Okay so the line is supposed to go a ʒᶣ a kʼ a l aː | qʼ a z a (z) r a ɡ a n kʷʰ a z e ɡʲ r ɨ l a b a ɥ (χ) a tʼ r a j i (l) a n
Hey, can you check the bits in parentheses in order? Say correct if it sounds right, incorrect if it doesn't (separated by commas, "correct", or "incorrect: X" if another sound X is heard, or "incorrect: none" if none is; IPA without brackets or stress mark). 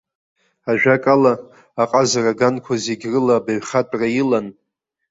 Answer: incorrect: none, correct, correct